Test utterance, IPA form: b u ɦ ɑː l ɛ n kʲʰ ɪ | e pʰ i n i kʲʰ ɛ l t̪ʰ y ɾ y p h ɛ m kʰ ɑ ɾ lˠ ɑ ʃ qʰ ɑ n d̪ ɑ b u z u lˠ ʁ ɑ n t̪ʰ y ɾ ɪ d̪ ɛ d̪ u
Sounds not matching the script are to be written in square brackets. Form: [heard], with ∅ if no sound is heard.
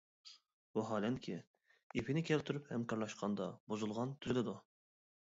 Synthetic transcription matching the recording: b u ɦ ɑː l ɛ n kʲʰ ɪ | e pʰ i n [ɪ] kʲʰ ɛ l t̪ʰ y ɾ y p h ɛ m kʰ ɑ ɾ lˠ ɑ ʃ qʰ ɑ n d̪ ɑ b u z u lˠ ʁ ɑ n t̪ʰ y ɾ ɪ d̪ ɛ d̪ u